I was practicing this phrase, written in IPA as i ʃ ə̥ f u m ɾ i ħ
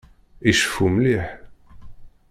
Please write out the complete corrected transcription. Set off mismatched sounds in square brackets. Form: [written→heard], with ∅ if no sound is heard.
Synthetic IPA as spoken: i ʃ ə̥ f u m [ɾ→l] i ħ